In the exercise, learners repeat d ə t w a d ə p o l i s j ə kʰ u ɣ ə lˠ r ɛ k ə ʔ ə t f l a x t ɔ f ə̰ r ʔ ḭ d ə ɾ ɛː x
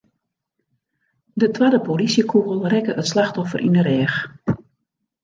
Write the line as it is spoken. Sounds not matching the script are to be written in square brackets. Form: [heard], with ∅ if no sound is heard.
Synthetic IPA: d ə t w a d ə p o l i s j ə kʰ u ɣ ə lˠ r ɛ k ə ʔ ə t [s] l a x t ɔ f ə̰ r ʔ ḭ [n] ə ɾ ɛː x